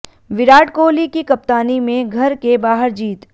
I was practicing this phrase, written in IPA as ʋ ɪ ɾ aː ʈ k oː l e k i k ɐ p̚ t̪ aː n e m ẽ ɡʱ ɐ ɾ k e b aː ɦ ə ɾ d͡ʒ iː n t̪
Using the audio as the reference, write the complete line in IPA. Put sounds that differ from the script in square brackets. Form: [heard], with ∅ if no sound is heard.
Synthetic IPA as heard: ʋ ɪ ɾ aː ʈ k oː l [i] k i k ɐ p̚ t̪ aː n [i] m ẽ ɡʱ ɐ ɾ k e b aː ɦ ə ɾ d͡ʒ iː [∅] t̪